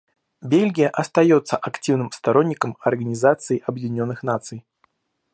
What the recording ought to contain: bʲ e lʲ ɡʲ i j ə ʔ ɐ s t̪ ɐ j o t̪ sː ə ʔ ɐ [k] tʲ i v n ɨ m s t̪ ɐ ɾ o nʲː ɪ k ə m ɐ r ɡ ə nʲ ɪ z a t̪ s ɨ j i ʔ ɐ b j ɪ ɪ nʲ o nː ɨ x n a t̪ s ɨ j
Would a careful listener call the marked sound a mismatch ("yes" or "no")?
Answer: no